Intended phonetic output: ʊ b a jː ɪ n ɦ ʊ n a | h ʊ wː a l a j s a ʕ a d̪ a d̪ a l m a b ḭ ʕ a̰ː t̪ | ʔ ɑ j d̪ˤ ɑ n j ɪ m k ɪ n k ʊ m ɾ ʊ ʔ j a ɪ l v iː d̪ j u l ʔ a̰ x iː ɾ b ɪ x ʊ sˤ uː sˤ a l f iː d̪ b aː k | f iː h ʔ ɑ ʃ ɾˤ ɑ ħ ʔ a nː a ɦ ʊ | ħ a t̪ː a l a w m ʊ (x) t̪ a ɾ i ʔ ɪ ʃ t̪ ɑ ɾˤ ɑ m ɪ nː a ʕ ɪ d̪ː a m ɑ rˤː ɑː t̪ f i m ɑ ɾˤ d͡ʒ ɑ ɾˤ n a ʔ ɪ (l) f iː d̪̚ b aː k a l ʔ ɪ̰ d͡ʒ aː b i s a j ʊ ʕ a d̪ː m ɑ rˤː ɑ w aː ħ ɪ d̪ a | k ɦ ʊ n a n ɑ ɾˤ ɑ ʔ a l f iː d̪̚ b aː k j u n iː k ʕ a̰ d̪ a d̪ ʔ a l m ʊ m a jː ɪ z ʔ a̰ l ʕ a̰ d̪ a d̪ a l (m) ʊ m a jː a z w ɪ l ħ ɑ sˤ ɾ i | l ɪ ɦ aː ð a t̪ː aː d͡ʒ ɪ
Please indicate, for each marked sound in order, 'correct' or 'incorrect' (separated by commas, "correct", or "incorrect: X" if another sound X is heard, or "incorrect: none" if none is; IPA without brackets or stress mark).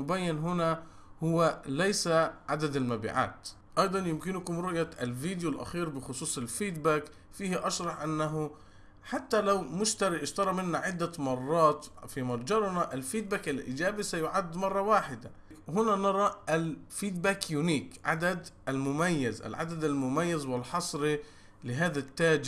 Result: incorrect: ʃ, correct, correct